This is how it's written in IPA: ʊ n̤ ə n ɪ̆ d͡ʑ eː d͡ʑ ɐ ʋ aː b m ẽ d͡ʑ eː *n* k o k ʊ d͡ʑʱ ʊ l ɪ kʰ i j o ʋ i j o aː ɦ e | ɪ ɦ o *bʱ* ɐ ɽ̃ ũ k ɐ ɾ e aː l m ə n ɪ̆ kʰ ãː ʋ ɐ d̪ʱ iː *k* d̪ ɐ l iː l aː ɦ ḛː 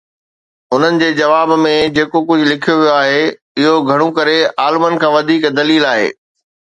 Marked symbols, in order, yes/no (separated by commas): no, no, yes